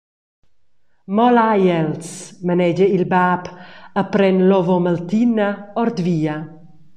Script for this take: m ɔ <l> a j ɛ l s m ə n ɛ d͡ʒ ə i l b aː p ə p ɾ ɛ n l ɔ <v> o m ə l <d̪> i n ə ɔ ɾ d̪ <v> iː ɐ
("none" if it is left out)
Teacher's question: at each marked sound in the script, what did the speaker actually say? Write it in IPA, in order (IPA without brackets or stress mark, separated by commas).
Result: l, v, t̪, v